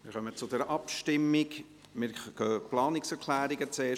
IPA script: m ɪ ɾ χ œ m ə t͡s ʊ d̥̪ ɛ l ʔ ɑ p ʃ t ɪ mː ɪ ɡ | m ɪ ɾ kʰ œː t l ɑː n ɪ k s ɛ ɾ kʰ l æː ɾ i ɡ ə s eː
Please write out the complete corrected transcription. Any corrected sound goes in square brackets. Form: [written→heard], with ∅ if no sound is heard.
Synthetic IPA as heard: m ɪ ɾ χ œ m ə t͡s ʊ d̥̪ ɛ [l→ɾ] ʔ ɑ p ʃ t ɪ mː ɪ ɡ | m ɪ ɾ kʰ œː [t→p] l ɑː n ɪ k s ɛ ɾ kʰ l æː ɾ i ɡ ə [s→t͡s] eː

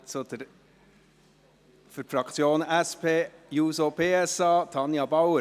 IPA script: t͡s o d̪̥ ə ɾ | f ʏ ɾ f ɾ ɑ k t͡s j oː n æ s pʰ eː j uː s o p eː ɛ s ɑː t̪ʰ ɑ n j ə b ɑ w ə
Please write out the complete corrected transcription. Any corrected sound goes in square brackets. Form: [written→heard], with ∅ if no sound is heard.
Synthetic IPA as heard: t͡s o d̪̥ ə ɾ | f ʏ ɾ f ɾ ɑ k t͡s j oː n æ s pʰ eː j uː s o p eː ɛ s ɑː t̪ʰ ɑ n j [ə→ɑ] b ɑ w ə

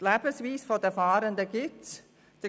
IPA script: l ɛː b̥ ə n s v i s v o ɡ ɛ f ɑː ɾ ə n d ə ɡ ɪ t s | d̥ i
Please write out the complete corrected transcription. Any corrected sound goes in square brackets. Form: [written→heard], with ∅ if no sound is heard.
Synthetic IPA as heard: l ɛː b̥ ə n s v [i→iː] s [v→f] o [ɡ→d] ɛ f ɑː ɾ ə n d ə ɡ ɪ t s | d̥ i

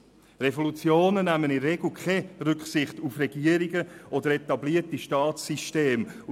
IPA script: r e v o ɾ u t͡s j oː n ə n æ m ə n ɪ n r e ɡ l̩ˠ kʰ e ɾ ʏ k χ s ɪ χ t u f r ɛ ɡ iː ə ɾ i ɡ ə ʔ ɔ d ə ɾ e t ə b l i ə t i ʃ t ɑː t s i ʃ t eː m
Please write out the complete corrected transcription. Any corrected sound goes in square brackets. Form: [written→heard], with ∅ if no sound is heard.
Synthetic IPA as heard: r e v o [ɾ→l] u t͡s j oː n ə n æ m ə n ɪ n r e ɡ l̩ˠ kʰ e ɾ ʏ k χ s ɪ χ t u f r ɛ ɡ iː ə ɾ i ɡ ə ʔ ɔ d ə ɾ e t [ə→ɑ] b l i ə t i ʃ t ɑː t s i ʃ t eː m

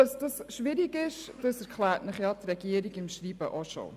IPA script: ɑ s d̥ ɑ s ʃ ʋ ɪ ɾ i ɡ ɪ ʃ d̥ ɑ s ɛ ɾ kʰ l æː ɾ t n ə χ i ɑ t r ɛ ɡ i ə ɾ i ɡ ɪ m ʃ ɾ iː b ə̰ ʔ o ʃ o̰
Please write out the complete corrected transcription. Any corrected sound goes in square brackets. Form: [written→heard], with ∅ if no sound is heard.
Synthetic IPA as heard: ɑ s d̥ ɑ s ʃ ʋ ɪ ɾ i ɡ ɪ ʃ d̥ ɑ s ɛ ɾ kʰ l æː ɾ t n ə χ [i→j] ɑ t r ɛ ɡ i ə ɾ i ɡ ɪ m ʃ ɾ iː b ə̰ ʔ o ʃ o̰

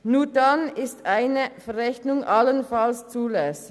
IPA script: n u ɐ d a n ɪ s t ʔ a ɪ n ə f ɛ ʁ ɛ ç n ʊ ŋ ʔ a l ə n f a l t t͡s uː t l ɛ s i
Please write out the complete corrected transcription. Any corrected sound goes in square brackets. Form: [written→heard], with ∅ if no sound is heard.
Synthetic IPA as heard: n [u→uː] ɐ d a n ɪ s t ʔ a ɪ n ə f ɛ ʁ ɛ ç n ʊ ŋ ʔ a l ə n f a l [t→s] t͡s uː [t→∅] l ɛ s [i→ɪ]

